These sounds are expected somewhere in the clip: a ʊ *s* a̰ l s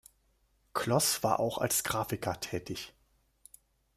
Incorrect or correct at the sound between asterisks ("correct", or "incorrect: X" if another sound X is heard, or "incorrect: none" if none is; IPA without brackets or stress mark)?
incorrect: x